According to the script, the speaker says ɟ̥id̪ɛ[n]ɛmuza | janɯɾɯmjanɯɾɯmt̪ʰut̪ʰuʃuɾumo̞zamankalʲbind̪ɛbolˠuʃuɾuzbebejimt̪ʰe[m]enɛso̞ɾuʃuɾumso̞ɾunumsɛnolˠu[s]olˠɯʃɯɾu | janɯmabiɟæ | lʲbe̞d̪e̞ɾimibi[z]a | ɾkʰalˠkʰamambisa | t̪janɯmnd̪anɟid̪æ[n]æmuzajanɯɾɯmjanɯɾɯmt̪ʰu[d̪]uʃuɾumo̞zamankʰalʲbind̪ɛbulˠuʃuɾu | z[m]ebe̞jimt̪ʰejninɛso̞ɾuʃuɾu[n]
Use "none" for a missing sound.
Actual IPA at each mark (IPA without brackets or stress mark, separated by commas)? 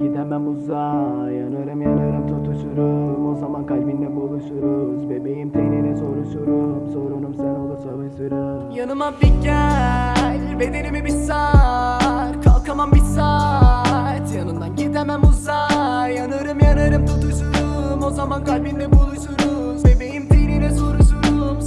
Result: m, n, s, s, m, t̪, b, m